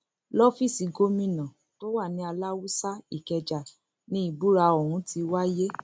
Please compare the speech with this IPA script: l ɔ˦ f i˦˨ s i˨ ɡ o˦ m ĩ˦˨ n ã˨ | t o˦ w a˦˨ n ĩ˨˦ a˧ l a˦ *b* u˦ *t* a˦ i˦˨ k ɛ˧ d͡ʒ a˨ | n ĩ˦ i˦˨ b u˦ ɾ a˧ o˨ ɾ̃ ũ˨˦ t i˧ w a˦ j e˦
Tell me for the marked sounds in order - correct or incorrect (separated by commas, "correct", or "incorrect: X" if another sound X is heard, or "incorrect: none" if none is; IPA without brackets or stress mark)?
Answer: incorrect: w, incorrect: s